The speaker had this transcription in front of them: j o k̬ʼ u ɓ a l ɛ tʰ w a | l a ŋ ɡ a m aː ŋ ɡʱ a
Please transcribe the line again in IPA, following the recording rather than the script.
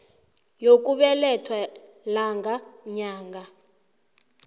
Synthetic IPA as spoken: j o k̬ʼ u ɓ ɛ l ɛ tʰ w a | l a ŋ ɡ a ɲ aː ŋ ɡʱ a

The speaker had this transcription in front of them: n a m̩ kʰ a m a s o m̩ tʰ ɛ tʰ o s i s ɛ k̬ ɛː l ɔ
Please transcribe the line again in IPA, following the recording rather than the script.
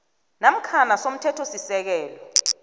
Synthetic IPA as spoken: n a m̩ kʰ a n a s o m̩ tʰ ɛ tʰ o s i s ɛ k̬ ɛː l ɔ

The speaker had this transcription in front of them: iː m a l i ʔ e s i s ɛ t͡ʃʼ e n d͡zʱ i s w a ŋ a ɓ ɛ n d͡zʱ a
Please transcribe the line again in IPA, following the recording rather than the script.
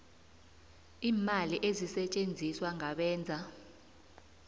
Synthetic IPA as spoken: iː m a l i ʔ e z i s ɛ t͡ʃʼ e n d͡zʱ i s w a ŋ a ɓ ɛː n d͡zʱ a

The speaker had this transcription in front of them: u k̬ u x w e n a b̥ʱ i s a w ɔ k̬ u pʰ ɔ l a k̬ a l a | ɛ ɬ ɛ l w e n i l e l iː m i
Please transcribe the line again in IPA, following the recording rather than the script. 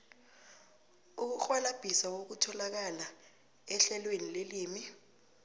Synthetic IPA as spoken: u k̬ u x w a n a b̥ʱ i s a w o k̬ u tʰ ɔ l a k̬ a l a | ɛ ɬ ɛ l w e n i l e l iː m i

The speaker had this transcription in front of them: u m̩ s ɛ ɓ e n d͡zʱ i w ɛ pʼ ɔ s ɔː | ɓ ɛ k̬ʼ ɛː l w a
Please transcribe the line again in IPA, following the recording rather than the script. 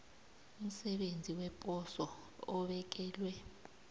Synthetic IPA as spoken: u m̩ s ɛ ɓ e n d͡zʱ i w ɛ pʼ ɔ s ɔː | ɓ ɛ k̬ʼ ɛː l w ɛ

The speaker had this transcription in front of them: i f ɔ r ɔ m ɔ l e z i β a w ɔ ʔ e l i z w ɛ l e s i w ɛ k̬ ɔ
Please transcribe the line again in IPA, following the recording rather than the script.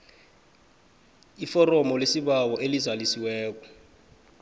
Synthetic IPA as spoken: i f ɔ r ɔ m ɔ l e s i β a w ɔ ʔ e l i z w a l i s i w ɛː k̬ ɔ

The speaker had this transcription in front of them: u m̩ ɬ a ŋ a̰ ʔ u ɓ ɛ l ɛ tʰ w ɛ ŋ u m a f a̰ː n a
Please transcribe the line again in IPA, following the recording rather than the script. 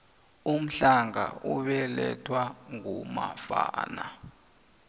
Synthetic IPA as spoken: u m̩ ɬ a ŋ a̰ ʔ u ɓ ɛ l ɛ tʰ w a ŋ u m a f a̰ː n a

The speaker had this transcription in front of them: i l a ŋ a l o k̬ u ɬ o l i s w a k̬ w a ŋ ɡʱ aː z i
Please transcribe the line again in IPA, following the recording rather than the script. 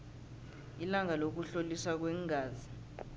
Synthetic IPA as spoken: i l a ŋ a l o k̬ u ɬ o l i s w a k̬ w ɛ ŋ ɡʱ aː z i

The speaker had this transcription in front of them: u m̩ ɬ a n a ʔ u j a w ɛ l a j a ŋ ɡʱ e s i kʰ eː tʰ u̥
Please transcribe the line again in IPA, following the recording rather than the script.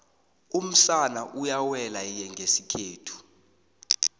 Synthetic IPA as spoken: u m̩ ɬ a n a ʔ u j a w ɛ l a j ɛ ŋ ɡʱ e s i kʰ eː tʰ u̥

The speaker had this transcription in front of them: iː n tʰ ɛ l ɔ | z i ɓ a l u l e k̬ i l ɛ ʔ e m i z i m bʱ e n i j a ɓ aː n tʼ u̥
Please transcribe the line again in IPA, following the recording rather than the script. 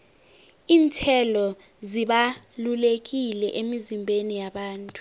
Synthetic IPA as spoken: iː n tʰ ɛ l ɔ | z i ɓ a l u l e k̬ i l ɛ ʔ e m i z i m bʱ e n i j a ɓ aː n tʼ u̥

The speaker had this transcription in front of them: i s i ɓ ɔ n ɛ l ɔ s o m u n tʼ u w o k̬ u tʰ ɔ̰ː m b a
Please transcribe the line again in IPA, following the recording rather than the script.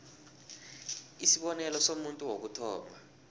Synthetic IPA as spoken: i s i ɓ ɔ n ɛ l ɔ s o m u n tʼ u w o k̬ u tʰ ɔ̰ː m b a

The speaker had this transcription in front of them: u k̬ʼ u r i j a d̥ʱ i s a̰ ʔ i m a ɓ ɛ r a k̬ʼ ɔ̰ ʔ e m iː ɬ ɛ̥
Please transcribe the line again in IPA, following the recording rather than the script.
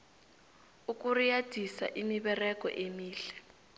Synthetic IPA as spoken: u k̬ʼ u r i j a d̥ʱ i s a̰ ʔ i m i ɓ ɛ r ɛ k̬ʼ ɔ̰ ʔ e m iː ɬ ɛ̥

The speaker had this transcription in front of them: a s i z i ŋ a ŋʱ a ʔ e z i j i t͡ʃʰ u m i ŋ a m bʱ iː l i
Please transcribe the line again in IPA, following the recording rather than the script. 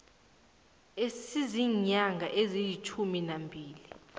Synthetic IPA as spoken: e s i z i ɲ a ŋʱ a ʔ e z i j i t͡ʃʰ u m i n a m bʱ iː l i

